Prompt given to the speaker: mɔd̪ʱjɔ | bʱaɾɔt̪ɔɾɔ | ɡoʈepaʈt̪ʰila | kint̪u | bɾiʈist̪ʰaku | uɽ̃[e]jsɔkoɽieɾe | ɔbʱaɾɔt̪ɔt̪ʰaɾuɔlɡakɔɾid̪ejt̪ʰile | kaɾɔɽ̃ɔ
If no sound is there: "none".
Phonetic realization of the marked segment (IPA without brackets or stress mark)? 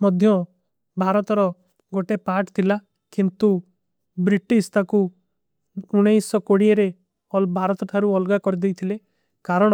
e